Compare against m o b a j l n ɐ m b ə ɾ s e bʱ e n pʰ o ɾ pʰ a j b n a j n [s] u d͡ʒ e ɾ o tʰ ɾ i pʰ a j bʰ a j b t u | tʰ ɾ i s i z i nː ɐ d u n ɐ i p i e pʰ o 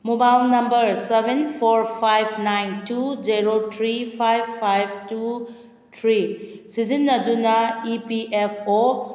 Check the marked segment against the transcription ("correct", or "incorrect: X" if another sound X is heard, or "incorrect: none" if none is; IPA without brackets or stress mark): incorrect: t